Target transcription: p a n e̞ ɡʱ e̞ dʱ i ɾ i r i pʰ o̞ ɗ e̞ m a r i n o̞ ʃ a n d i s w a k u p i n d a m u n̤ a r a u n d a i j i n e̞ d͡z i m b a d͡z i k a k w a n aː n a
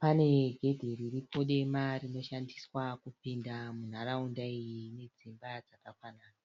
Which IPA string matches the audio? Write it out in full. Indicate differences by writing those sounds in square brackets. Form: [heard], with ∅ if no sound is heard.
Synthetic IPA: p a n e̞ ɡʱ e̞ dʱ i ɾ i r i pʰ o̞ ɗ e̞ m a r i n o̞ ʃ a n d i s w a k u p i n d a m u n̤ a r a u n d a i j i n e̞ d͡z i m b a d͡z [a] k a k w a n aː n a